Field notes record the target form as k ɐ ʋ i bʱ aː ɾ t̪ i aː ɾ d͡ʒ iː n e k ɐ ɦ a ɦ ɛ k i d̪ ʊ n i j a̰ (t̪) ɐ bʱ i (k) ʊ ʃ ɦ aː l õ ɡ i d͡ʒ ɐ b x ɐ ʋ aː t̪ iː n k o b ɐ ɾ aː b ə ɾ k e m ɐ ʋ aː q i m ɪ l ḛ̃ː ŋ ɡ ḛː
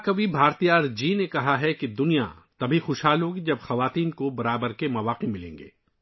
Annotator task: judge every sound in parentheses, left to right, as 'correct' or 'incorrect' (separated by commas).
correct, incorrect